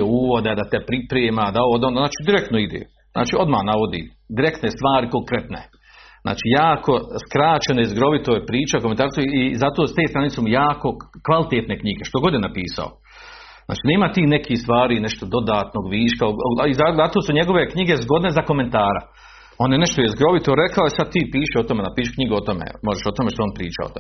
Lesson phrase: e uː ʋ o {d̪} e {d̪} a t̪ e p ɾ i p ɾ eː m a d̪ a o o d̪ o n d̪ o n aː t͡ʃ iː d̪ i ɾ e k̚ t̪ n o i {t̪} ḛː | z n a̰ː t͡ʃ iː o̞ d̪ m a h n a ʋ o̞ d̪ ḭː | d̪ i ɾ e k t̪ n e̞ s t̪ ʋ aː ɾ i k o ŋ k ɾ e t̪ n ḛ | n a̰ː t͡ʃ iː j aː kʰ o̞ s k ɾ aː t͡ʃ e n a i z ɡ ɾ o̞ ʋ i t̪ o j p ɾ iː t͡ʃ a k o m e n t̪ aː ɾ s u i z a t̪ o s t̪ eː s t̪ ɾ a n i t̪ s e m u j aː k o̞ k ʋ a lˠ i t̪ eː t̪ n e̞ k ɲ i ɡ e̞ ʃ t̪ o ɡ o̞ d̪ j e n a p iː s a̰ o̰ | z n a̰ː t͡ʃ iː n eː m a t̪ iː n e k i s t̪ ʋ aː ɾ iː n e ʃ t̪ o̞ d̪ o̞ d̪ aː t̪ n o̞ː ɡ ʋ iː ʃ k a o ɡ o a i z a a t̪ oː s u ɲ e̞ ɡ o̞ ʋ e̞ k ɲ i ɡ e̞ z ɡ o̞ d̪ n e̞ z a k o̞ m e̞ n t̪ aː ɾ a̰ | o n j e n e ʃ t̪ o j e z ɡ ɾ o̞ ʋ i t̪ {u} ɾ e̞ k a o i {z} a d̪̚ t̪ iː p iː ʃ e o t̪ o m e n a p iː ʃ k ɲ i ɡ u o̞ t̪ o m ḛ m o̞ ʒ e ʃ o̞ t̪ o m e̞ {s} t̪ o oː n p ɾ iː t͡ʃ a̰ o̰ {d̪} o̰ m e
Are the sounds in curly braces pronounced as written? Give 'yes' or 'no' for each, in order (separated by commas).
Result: yes, yes, no, no, no, no, no